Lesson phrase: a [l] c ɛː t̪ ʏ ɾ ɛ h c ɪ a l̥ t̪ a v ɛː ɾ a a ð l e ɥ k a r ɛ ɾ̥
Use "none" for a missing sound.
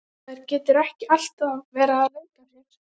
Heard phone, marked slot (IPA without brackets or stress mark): ɾ